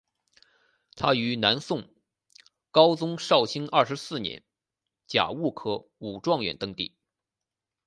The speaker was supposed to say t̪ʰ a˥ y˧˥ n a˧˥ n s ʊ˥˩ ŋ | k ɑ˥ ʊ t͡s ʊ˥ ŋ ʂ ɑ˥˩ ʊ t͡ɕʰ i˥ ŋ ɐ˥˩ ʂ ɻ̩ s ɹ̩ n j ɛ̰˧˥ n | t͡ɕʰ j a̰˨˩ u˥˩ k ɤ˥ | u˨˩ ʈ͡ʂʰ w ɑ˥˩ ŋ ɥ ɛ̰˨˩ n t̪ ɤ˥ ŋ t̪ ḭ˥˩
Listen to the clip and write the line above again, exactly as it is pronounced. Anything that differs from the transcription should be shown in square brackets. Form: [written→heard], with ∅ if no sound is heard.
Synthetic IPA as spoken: t̪ʰ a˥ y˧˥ n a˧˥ n s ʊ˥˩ ŋ | k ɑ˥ ʊ t͡s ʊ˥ ŋ ʂ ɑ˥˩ ʊ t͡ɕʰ i˥ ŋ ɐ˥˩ ʂ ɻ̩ s ɹ̩ n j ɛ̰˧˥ n | [t͡ɕʰ→t͡ɕ] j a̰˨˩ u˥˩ [k→kʰ] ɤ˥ | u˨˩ [ʈ͡ʂʰ→ʈ͡ʂ] w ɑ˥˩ ŋ ɥ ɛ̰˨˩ n t̪ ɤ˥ ŋ t̪ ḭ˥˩